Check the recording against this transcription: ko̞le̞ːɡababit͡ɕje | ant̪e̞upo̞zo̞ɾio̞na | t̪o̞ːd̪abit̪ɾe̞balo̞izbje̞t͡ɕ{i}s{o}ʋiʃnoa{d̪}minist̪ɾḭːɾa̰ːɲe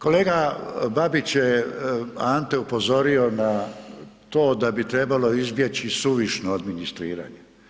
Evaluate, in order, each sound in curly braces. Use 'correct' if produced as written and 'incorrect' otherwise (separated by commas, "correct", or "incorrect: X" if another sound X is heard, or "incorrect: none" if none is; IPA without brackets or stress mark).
correct, incorrect: u, correct